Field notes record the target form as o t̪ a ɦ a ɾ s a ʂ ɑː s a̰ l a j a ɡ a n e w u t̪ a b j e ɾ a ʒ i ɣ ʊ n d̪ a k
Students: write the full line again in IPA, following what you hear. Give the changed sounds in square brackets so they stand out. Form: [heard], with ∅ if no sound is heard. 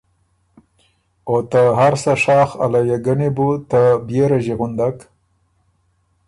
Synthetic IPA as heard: o t̪ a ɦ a ɾ s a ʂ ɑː [x] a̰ l a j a ɡ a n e [b] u t̪ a b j e ɾ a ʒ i ɣ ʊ n d̪ a k